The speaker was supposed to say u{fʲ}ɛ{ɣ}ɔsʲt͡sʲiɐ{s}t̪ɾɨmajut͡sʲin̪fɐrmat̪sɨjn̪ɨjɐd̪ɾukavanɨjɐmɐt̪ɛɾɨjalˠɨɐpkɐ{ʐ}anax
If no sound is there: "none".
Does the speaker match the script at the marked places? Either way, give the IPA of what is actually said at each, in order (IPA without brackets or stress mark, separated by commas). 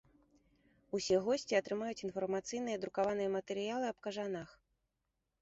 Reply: sʲ, ɣ, none, ʐ